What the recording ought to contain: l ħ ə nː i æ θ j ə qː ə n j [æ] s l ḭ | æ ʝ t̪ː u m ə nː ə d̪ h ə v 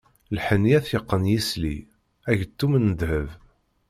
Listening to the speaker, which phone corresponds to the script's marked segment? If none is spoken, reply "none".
i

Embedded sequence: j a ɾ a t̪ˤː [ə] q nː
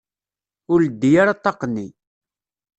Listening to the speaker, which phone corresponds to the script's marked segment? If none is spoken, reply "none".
ɑ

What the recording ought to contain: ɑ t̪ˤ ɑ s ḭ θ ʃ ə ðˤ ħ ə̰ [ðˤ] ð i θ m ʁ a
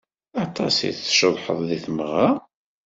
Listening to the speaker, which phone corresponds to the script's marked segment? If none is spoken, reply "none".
ðˤ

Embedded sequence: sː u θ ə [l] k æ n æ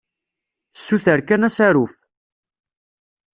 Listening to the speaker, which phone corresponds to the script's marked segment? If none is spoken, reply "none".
ɾ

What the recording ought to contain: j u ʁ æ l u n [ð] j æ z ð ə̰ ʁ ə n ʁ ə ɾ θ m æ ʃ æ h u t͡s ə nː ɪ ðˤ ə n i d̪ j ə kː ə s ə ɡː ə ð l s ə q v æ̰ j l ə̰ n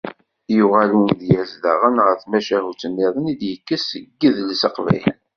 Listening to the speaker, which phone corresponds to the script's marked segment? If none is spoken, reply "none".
ð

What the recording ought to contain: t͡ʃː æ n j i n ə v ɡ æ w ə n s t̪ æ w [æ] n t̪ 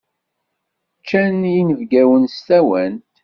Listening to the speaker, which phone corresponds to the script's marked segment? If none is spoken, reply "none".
æ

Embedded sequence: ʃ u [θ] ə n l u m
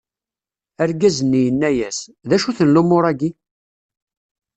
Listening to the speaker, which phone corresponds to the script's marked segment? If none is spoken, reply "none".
θ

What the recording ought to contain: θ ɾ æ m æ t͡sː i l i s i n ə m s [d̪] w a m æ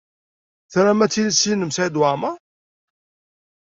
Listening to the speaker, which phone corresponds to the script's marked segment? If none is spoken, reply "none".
d̪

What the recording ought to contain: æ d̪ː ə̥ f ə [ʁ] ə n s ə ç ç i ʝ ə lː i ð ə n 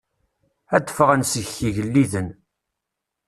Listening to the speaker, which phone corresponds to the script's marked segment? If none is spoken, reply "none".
ʁ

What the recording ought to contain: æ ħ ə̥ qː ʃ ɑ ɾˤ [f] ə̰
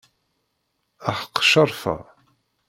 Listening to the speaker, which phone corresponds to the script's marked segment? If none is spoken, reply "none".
f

